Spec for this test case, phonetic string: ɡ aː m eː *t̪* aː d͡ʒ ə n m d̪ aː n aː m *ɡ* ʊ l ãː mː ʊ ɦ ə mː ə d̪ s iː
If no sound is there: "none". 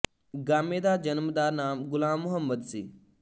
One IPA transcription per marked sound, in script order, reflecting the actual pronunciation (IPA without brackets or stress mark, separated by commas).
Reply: d̪, ɡ